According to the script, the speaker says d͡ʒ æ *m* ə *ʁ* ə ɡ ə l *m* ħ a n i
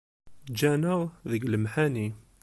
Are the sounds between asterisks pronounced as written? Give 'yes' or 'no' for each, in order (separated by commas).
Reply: no, no, yes